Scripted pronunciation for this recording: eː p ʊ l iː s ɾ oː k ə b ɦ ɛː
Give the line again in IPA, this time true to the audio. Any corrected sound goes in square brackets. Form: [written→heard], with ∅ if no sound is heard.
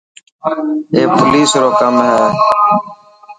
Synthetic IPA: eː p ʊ l iː s ɾ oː k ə [b→m] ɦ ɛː